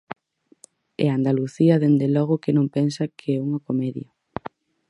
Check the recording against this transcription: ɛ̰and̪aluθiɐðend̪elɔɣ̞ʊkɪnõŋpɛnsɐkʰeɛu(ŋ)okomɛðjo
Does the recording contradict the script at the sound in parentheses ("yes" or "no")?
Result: no